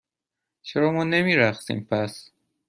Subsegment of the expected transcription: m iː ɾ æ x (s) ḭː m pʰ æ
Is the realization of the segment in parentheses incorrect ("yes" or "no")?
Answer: no